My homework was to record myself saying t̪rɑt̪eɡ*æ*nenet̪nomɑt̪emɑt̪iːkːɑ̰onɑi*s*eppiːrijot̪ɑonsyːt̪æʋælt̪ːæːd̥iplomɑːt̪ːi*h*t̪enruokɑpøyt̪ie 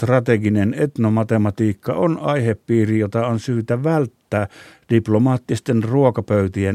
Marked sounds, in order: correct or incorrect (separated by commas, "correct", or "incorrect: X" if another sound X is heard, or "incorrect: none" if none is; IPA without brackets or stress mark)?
incorrect: i, incorrect: h, incorrect: s